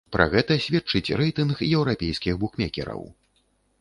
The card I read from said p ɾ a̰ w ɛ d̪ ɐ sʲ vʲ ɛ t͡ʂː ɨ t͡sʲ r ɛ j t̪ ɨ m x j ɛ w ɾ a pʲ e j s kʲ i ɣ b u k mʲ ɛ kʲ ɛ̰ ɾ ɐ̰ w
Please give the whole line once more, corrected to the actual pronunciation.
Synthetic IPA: p ɾ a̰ ɣ ɛ t̪ ɐ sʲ vʲ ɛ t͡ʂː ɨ t͡sʲ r ɛ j t̪ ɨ n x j ɛ w ɾ a pʲ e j s kʲ i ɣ b u k mʲ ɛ kʲ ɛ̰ ɾ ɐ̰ w